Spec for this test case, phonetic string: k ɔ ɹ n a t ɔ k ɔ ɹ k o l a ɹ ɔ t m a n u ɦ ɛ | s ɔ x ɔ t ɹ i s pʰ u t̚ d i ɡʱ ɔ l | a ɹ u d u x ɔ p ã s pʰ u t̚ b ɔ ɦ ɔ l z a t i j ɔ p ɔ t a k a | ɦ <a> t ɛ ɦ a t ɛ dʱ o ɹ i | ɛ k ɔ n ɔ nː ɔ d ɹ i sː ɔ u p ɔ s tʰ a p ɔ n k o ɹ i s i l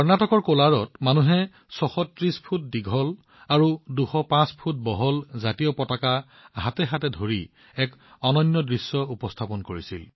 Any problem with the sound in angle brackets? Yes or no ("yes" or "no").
no